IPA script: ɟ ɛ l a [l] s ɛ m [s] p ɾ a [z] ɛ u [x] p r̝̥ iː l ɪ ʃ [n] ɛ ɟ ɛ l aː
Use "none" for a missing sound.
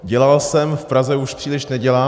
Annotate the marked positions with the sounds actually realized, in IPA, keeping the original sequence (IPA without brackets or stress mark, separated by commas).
l, f, z, ʃ, n